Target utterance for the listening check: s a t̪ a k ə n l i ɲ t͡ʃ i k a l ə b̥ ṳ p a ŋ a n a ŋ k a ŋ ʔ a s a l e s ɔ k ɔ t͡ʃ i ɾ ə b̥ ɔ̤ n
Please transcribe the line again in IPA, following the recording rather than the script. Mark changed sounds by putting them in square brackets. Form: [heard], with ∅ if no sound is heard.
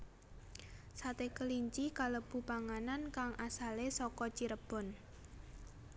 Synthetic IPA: s a t̪ [e] k ə [∅] l i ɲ t͡ʃ i k a l ə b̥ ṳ p a ŋ a n a [n] k a ŋ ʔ a s a l e s ɔ k ɔ t͡ʃ i ɾ ə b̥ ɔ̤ n